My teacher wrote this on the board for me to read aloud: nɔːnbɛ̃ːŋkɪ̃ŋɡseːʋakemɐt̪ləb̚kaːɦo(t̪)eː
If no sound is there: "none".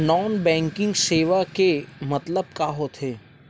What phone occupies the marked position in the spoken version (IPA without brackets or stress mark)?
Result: t̪ʰ